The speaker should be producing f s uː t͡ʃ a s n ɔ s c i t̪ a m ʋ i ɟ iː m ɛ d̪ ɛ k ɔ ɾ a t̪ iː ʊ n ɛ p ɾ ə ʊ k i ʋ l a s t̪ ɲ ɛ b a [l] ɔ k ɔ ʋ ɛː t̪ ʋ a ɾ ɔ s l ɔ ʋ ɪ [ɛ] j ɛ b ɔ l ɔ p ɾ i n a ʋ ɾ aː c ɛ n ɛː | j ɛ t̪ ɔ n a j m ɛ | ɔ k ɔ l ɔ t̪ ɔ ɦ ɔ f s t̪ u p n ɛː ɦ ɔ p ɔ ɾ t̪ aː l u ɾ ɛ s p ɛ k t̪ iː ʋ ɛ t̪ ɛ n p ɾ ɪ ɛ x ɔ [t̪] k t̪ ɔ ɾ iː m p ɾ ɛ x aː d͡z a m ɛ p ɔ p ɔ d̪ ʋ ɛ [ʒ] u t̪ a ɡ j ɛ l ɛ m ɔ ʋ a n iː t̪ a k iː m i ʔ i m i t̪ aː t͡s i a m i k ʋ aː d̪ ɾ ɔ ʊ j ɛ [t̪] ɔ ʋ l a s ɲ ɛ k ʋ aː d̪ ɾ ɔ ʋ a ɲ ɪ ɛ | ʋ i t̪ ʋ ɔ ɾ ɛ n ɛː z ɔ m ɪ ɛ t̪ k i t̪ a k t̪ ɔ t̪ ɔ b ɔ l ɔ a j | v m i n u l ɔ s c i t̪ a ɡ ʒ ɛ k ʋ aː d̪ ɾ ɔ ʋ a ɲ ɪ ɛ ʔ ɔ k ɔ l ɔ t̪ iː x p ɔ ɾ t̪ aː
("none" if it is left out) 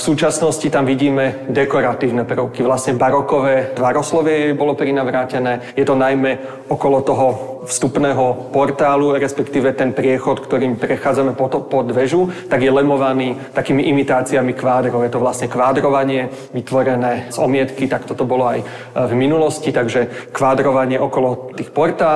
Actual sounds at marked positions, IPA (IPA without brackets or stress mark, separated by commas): ɾ, ɛ, t̪, ʒ, t̪